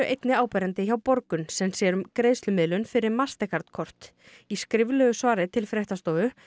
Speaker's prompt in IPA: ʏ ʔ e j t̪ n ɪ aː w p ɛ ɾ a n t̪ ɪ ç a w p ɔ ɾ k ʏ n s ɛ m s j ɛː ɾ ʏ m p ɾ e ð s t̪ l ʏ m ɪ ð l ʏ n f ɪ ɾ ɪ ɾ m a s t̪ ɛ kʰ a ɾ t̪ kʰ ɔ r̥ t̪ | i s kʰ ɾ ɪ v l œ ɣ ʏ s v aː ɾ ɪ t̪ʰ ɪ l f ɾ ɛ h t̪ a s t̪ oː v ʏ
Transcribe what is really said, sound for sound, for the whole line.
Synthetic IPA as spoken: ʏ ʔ e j t̪ n ɪ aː w p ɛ ɾ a n t̪ ɪ ç a w p ɔ ɾ k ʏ n s ɛ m s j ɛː ɾ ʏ m k ɾ e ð s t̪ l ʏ m ɪ ð l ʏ n f ɪ ɾ ɪ ɾ m a s t̪ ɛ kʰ a ɾ t̪ kʰ ɔ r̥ t̪ | i s k ɾ ɪ v l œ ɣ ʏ s v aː ɾ ɪ t̪ʰ ɪ l f ɾ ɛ h t̪ a s t̪ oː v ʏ

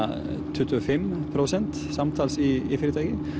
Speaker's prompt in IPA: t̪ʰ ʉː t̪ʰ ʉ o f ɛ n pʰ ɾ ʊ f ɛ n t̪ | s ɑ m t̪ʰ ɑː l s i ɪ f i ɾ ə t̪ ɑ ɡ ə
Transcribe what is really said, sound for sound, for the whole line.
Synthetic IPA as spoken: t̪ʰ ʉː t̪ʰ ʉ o f ɛ m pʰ ɾ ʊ s ɛ n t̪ | s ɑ m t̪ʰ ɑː l s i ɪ f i ɾ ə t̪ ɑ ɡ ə

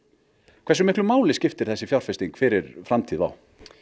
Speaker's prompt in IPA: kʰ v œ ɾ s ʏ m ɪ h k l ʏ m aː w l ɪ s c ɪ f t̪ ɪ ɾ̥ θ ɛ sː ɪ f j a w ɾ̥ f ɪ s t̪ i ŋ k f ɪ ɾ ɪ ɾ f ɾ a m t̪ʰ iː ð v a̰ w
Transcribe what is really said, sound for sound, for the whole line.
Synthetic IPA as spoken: kʰ v ɛ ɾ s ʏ m ɪ h k l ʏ m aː w l ɪ s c ɪ f t̪ ɪ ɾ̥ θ ɛ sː ɪ f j a w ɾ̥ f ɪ s t̪ i ŋ k f ɪ ɾ ɪ ɾ f ɾ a m t̪ʰ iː ð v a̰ w

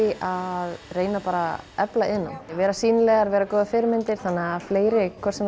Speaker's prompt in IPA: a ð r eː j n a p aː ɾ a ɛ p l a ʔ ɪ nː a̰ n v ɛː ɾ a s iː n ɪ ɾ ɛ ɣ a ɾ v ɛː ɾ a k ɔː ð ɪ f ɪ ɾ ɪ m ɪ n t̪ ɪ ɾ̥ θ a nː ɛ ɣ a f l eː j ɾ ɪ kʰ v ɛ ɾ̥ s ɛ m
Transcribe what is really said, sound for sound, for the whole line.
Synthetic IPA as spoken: a ð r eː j n a p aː ɾ a ɛ p l a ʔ ɪ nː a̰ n v ɛː ɾ a s iː n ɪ l ɛ ɣ a ɾ v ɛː ɾ a k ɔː ð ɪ f ɪ ɾ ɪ m ɪ n t̪ ɪ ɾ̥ θ a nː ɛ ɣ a f l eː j ɾ ɪ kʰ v ɛ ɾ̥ s ɛ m

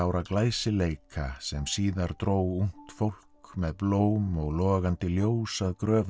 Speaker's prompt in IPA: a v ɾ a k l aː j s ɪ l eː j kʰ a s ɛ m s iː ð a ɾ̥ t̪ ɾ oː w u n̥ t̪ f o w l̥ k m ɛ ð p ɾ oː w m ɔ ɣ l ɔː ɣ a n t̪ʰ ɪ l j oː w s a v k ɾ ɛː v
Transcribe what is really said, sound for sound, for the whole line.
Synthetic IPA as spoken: a w ɾ a k l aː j s ɪ l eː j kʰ a s ɛ m s iː ð a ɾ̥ t̪ ɾ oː w u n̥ t̪ f o w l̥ k m ɛ ð p l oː w m ɔ ɣ l ɔː ɣ a n t̪ ɪ l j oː w s a ð k ɾ œː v

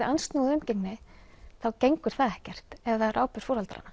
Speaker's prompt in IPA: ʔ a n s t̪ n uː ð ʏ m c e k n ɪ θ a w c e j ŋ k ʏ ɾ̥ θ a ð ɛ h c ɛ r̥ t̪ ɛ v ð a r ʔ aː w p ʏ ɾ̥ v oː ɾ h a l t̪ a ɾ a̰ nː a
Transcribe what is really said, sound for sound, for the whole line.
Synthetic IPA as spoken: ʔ a n s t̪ n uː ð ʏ m c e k n ɪ θ a w c e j ŋ k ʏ ɾ̥ θ a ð ɛ h c ɛ r̥ t̪ ɛ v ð a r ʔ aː w p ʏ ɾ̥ f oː ɾ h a l t̪ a ɾ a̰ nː a

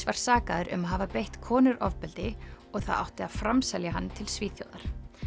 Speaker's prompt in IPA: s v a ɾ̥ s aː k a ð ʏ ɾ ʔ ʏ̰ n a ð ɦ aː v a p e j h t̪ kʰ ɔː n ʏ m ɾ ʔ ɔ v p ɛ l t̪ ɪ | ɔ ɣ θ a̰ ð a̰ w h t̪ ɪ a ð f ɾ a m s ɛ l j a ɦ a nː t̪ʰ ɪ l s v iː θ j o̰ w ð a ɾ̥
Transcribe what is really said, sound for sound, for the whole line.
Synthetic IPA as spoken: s v a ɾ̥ s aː k a ð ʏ ɾ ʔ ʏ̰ m a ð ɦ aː v a p e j h t̪ kʰ ɔː n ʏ ɾ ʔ ɔ v p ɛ l t̪ ɪ | ɔ ɣ θ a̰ ð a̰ w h t̪ ɪ a ð f ɾ a m s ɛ l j a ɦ a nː t̪ʰ ɪ l s v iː θ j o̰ w ð a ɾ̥

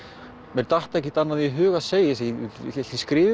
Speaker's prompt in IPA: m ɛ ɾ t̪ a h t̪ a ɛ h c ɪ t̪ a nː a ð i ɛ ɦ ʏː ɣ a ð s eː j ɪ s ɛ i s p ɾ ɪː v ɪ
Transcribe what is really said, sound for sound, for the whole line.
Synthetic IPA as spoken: m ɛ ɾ t̪ a h t̪ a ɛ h c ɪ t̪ a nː a ð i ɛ ɦ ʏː ɣ a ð s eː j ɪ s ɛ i s k ɾ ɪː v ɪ

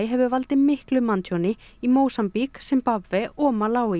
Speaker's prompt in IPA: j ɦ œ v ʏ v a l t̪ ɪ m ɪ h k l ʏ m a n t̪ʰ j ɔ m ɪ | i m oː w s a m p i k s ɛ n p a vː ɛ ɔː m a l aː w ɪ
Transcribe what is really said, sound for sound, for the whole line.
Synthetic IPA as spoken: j ɦ ɛ v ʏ v a l t̪ ɪ m ɪ h k l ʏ m a n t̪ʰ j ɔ n ɪ | i m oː w s a m p i k s ɛ m p a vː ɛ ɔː m a l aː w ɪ

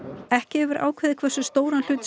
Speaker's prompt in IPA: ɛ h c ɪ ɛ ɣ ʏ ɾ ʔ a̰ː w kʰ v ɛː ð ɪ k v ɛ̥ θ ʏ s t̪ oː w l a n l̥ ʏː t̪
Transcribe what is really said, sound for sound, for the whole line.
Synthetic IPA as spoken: ɛ h c ɪ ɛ v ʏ ɾ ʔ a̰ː w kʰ v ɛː ð ɪ kʰ v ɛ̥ s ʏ s t̪ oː w ɾ a n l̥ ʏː t̪

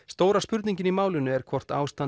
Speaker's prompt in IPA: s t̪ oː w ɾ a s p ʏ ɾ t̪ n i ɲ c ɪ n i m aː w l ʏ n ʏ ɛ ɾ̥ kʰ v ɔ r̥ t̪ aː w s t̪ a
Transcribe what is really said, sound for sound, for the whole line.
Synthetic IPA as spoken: s t̪ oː w ɾ a s p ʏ ɾ t̪ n i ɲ c ɪ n i m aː w l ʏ n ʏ ɛ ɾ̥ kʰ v ɔ r̥ t̪ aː w s t̪ a

